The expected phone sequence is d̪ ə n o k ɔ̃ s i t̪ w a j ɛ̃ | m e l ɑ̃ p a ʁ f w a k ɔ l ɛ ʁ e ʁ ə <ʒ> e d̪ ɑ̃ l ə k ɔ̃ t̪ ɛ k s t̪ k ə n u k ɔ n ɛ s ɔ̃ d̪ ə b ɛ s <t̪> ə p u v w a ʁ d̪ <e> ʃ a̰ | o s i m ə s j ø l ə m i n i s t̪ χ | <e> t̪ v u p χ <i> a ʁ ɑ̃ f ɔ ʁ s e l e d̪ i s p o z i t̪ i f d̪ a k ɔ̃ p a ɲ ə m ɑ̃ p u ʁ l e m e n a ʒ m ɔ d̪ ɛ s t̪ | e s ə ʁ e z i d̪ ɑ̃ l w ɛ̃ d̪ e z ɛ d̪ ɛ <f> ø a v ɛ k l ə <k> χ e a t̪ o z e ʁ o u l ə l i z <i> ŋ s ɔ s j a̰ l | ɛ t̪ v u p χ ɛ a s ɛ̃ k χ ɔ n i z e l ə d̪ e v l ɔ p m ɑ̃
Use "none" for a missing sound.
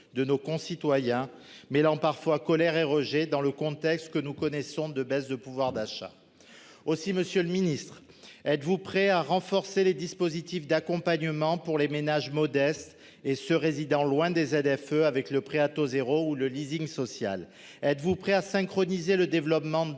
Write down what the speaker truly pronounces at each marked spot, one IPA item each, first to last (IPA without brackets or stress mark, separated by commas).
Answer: ʒ, d̪, a, ɛ, ɛ, f, p, i